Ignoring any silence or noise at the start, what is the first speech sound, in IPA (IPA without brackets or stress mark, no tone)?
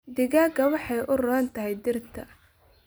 d̪